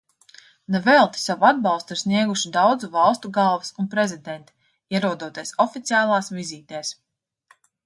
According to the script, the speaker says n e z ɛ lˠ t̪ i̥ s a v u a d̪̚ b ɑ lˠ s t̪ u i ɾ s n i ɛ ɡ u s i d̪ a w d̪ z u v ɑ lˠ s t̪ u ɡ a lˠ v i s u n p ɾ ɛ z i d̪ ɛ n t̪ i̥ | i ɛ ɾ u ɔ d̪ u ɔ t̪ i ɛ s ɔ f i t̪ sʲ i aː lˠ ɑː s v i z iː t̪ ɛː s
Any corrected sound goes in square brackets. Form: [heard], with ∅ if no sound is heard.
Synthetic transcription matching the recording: n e [v] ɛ lˠ t̪ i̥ s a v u a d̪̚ b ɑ lˠ s t̪ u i ɾ s n i ɛ ɡ u [ʃ] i d̪ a w d̪ z u v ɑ lˠ s t̪ u ɡ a lˠ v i s u n p ɾ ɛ z i d̪ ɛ n t̪ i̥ | i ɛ ɾ u ɔ d̪ u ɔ t̪ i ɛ s ɔ f i t̪ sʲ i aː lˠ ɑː s v i z iː t̪ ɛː s